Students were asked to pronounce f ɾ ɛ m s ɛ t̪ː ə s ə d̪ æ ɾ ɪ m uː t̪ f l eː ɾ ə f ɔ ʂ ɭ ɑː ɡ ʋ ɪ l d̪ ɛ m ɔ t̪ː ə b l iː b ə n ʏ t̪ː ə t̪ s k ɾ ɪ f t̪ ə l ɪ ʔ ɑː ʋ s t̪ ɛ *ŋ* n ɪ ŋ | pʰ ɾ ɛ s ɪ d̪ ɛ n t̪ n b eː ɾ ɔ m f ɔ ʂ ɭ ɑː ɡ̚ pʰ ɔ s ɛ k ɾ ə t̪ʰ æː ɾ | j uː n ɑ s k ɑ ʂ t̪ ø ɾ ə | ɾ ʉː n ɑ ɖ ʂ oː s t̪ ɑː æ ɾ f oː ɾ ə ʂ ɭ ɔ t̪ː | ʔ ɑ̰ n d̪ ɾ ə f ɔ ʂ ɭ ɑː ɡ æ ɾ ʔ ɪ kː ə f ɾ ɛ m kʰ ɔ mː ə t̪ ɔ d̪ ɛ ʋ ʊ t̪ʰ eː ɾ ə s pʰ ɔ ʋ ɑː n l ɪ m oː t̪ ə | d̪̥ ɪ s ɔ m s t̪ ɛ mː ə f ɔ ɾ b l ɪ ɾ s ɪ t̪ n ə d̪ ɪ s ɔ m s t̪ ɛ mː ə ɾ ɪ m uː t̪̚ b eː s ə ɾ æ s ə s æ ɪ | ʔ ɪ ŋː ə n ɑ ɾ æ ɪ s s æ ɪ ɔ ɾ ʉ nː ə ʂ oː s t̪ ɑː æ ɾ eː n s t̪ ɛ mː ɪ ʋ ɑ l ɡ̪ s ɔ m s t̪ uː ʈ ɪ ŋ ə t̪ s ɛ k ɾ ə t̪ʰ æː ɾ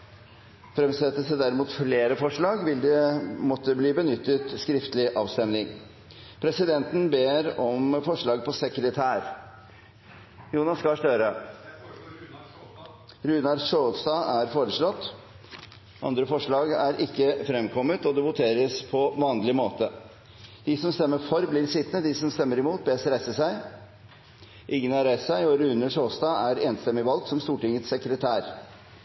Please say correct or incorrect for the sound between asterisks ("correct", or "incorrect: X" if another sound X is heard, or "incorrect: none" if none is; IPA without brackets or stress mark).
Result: incorrect: m